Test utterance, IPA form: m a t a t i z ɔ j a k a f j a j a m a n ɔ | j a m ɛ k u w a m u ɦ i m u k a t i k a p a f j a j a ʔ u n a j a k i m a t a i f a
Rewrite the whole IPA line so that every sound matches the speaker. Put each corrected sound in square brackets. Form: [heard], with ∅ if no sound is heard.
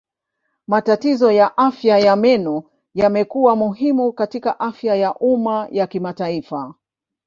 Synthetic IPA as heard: m a t a t i z ɔ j a [ʔ] a f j a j a m [ɛ] n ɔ | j a m ɛ k u w a m u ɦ i m u k a t i k a [ʔ] a f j a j a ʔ u [m] a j a k i m a t a i f a